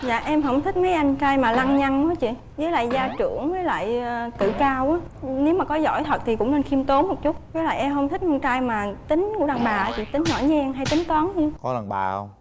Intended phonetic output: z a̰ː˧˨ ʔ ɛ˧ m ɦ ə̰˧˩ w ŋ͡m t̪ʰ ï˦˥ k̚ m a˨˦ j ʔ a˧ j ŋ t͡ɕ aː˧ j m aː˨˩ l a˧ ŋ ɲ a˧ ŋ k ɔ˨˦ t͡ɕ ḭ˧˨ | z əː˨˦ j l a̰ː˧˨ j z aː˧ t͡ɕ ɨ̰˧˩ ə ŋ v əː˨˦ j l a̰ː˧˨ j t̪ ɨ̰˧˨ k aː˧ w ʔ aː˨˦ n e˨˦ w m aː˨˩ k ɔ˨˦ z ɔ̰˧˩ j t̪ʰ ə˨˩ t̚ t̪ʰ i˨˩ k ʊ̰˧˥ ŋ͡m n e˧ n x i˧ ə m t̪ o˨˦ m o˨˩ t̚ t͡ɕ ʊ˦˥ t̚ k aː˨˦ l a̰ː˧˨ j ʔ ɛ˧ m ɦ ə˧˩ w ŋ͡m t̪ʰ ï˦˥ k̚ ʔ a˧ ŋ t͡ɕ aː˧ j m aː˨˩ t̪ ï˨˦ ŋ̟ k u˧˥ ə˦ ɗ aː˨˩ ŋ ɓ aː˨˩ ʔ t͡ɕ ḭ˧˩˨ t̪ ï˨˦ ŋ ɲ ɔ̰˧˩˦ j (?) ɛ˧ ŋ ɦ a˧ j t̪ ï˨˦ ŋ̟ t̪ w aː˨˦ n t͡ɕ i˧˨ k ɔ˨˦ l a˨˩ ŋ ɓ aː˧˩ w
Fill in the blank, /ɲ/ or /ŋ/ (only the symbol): ɲ